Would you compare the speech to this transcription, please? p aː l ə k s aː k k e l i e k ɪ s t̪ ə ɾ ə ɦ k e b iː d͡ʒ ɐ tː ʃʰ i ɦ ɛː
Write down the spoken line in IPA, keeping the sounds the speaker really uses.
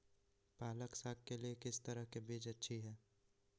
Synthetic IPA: p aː l ə k s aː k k e l i e k ɪ s t̪ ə ɾ ə ɦ k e b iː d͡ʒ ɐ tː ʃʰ i ɦ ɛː